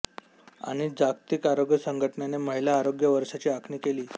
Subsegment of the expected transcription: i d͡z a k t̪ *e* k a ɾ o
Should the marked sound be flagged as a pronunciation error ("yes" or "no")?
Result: yes